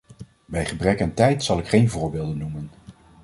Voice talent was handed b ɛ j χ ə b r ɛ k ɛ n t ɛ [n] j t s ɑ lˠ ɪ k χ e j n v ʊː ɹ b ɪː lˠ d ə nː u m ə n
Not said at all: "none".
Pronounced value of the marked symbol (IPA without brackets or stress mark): none